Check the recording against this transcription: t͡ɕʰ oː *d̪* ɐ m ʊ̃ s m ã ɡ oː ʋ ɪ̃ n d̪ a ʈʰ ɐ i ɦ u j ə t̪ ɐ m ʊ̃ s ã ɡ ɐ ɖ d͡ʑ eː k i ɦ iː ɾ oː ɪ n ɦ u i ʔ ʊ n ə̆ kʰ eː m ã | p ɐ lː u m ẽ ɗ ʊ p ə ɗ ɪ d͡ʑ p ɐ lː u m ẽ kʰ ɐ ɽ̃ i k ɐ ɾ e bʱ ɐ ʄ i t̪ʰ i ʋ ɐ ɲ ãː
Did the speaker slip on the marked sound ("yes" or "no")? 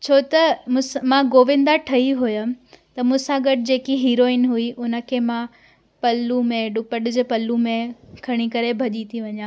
yes